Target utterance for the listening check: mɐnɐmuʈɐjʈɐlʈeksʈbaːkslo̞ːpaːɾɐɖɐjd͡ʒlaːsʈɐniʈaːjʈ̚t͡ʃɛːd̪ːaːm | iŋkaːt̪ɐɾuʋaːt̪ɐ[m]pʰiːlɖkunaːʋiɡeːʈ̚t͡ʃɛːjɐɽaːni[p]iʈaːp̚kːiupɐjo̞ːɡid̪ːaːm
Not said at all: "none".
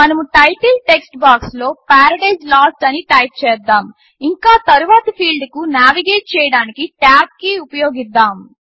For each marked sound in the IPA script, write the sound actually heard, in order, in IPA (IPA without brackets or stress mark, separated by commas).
none, k